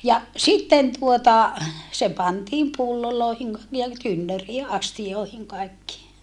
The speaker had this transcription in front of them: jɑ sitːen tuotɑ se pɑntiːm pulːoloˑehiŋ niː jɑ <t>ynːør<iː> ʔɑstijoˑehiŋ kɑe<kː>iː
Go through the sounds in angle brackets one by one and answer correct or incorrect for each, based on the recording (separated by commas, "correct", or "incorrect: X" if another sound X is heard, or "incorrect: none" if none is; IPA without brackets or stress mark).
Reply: correct, correct, correct